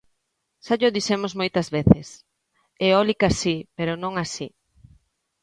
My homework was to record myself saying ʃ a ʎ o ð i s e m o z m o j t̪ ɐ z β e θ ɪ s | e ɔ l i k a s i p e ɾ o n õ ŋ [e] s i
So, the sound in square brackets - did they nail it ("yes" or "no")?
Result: no